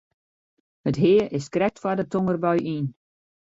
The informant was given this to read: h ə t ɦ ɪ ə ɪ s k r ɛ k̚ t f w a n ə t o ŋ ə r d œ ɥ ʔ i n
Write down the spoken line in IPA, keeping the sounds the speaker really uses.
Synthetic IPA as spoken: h ə t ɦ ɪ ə ɪ s k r ɛ k̚ t f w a d ə t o ŋ ə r b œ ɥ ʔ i n